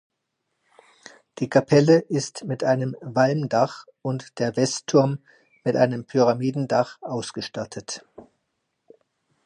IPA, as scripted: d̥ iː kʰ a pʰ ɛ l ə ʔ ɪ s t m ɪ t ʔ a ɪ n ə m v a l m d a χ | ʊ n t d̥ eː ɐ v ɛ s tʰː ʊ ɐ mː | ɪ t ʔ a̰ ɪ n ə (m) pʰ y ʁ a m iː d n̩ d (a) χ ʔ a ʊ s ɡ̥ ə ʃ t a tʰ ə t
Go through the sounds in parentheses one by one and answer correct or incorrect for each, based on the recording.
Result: correct, correct

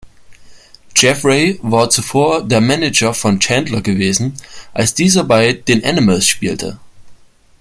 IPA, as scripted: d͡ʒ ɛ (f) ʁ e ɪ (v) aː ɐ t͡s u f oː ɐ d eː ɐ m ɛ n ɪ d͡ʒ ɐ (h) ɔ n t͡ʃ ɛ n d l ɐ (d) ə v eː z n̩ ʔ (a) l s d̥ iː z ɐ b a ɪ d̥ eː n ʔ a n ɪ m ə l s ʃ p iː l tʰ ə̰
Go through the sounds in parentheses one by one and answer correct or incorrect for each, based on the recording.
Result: correct, correct, incorrect: f, incorrect: ɡ, correct

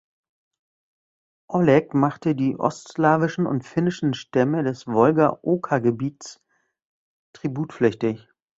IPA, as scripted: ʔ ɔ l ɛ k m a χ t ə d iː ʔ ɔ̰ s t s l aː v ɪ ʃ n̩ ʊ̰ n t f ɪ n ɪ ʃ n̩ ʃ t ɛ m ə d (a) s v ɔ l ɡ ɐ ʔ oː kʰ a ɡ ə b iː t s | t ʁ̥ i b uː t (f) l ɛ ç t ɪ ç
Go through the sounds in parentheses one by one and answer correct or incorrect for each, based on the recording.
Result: incorrect: ɛ, correct

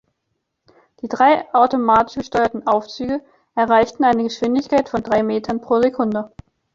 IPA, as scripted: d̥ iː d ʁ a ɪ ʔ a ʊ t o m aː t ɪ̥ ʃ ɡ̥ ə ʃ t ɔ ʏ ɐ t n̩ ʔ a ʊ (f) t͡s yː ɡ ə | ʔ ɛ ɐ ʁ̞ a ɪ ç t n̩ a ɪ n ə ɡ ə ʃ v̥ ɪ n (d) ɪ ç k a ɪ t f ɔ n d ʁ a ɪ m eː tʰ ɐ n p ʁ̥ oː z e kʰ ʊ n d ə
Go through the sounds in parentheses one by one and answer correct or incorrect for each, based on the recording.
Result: correct, correct

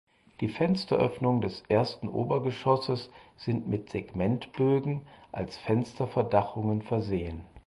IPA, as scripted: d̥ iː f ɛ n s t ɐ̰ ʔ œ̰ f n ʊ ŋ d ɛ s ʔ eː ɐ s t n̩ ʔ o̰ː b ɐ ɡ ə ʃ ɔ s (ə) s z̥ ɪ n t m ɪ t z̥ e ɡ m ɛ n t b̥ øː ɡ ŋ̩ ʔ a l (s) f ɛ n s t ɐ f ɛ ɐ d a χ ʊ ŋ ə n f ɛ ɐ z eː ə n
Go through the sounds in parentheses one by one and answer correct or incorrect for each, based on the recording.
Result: correct, correct

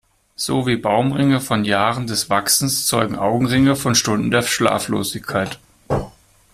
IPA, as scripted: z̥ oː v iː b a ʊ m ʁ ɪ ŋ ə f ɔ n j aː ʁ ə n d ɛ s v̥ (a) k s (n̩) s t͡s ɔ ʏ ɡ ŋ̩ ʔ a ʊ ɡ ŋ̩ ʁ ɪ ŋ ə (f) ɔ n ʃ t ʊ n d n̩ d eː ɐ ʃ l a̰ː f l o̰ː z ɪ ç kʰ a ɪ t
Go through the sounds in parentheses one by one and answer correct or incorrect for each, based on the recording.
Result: correct, correct, correct

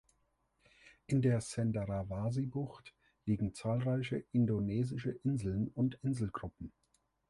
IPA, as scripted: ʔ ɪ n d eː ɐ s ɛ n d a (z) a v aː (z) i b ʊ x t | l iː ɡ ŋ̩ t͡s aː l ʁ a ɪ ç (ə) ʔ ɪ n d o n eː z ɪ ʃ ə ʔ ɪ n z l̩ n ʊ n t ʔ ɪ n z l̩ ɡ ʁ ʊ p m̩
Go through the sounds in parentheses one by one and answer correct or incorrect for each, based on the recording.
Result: incorrect: ʁ, correct, correct

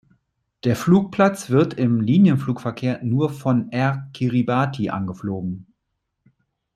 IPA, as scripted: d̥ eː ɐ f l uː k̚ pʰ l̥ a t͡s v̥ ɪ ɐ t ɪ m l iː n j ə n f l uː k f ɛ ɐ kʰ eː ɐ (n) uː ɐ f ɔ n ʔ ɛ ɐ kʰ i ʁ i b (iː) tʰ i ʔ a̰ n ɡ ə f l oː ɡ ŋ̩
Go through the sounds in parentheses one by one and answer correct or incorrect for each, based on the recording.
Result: correct, incorrect: aː

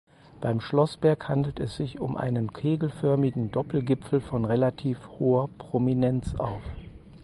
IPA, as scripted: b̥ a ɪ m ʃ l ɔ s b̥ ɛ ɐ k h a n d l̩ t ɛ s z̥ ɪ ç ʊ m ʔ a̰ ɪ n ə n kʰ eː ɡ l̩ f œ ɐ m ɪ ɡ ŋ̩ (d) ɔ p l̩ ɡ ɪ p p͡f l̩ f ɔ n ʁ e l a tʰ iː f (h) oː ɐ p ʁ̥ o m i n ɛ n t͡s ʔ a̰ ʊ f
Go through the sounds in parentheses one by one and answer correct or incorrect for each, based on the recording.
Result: correct, correct

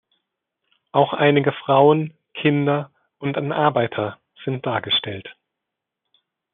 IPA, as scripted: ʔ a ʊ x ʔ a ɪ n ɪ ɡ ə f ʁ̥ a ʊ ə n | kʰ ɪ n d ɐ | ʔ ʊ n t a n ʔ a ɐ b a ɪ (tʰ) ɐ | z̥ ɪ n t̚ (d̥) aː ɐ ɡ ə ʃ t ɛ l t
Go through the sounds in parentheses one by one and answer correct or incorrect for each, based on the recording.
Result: correct, correct

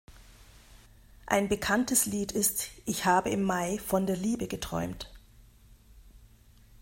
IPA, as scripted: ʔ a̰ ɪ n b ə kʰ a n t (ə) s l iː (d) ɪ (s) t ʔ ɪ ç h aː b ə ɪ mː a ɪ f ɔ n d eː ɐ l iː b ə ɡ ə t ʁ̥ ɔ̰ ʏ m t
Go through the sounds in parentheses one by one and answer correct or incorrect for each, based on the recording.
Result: correct, incorrect: t, correct

